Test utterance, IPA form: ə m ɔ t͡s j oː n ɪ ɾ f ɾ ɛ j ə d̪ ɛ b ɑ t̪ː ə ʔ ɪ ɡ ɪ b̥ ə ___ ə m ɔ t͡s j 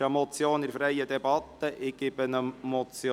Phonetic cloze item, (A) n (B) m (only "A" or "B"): A